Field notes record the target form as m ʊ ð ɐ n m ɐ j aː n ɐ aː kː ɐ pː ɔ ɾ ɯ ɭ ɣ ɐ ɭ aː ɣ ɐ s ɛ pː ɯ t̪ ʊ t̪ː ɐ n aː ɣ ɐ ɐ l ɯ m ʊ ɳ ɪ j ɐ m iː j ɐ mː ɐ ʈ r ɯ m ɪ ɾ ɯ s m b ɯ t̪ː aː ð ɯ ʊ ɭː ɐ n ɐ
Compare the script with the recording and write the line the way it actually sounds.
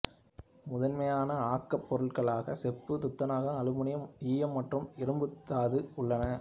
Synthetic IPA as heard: m ʊ ð ɐ n m ɐ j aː n ɐ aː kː ɐ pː ɔ ɾ ɯ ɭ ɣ ɐ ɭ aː ɣ ɐ s ɛ pː ɯ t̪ ʊ t̪ː ɐ n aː ɣ ɐ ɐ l ɯ m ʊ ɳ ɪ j ɐ m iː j ɐ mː ɐ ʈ r ɯ m ɪ ɾ ɯ m b ɯ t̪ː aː ð ɯ ʊ ɭː ɐ n ɐ